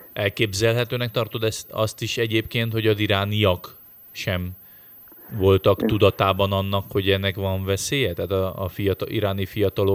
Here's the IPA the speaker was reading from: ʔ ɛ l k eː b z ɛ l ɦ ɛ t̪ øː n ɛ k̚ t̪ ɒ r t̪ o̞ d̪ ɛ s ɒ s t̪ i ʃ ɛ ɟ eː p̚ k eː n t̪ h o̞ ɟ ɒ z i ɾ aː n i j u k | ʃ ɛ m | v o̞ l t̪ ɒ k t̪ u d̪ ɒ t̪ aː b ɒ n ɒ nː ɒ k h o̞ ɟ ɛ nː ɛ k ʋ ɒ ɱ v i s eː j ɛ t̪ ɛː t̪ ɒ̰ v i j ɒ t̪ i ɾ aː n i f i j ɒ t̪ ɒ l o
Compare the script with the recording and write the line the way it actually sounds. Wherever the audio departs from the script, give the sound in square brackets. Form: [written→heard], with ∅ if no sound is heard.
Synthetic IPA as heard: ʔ ɛ l k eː b z ɛ l ɦ ɛ t̪ øː n ɛ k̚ t̪ ɒ r t̪ o̞ d̪ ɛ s ɒ s t̪ i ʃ ɛ ɟ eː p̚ k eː n t̪ h o̞ ɟ ɒ z i ɾ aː n i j [u→ɒ] k | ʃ ɛ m | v o̞ l t̪ ɒ k t̪ u d̪ ɒ t̪ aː b ɒ n ɒ nː ɒ k h o̞ ɟ ɛ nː ɛ k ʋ ɒ ɱ v [i→ɛ] s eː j ɛ t̪ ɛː t̪ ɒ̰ [v→f] i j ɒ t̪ i ɾ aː n i f i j ɒ t̪ ɒ l o